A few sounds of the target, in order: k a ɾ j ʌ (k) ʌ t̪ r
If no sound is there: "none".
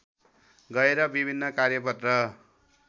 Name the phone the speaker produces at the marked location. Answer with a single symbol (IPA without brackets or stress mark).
p